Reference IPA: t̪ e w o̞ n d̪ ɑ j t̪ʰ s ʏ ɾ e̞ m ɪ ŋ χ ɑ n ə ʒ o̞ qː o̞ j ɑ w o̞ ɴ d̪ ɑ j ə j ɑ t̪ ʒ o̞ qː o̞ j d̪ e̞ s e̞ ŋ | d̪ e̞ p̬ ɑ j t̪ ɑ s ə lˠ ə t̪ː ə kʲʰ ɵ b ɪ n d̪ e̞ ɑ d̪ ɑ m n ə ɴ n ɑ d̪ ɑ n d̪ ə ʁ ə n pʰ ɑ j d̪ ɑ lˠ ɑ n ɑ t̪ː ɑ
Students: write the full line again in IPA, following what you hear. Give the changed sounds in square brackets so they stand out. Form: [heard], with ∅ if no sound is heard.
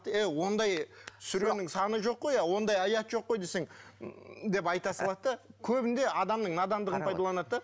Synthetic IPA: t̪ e w o̞ n d̪ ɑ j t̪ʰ s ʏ ɾ e̞ [n] ɪ ŋ [s] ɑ n ə ʒ o̞ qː o̞ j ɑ w o̞ [n] d̪ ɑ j [ɑ] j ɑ t̪ ʒ o̞ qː o̞ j d̪ e̞ s e̞ ŋ | d̪ e̞ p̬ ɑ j t̪ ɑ s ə lˠ [ɑ] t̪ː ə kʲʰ ɵ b ɪ n d̪ e̞ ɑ d̪ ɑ m n ə ɴ n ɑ d̪ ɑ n d̪ ə ʁ ə n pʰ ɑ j d̪ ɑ lˠ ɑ n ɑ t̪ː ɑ